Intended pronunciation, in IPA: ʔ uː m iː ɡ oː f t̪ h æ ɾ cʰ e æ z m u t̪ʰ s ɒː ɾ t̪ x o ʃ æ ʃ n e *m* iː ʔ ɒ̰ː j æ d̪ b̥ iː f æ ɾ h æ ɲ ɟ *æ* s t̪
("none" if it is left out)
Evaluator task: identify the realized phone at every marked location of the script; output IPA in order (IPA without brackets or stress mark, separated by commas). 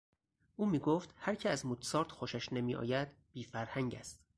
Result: m, æ